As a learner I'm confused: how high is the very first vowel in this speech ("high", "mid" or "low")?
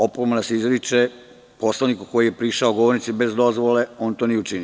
mid